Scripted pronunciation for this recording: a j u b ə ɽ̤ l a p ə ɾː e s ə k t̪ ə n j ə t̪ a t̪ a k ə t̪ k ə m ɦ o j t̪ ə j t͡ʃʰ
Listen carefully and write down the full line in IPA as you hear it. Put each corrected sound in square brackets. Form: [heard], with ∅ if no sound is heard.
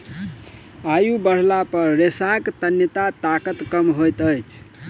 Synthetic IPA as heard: a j u b ə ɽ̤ l a p ə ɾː e s [a] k t̪ ə n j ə t̪ a t̪ a k ə t̪ k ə m ɦ o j t̪ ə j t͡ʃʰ

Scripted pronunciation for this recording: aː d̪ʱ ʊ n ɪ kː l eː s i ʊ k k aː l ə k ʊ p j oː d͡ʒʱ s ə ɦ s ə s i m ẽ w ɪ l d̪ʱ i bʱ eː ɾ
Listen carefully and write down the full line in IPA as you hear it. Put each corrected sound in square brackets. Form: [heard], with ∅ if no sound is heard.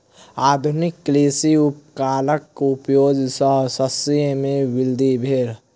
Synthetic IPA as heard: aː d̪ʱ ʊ n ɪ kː l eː s i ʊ [p] k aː l ə k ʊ p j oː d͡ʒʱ s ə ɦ s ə s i m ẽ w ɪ l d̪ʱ i bʱ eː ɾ

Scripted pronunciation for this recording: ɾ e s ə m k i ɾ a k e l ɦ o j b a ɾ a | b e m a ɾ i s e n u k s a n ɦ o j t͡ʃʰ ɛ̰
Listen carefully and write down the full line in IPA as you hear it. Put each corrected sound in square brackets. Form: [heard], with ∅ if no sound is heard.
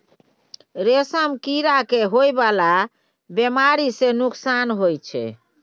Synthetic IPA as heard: ɾ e s ə m k i ɾ a k e [∅] ɦ o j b a [l] a | b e m a ɾ i s e n u k s a n ɦ o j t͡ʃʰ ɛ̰

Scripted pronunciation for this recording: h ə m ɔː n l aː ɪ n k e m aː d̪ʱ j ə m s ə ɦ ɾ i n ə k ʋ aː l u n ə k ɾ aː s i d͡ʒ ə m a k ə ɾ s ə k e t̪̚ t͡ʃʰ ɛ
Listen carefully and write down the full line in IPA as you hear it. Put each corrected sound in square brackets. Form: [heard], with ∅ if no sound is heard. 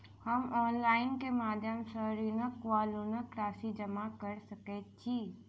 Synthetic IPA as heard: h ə m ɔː n l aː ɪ n k e m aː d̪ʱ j ə m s ə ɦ ɾ i n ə k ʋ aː l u n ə k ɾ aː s i d͡ʒ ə m a k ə ɾ s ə k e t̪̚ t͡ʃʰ [i]

